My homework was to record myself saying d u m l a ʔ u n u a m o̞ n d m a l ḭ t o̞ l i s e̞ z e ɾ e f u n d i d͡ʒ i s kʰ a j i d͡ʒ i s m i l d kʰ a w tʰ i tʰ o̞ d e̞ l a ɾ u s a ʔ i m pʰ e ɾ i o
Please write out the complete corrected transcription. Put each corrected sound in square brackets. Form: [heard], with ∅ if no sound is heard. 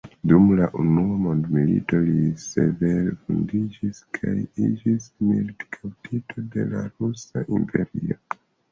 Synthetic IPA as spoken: d u m l a ʔ u n u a m o̞ n d m [i] l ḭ t o̞ l i s e̞ [v] e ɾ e f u n d i d͡ʒ i s kʰ a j i d͡ʒ i s m i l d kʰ a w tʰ i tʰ o̞ d e̞ l a ɾ u s a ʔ i m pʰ e ɾ i o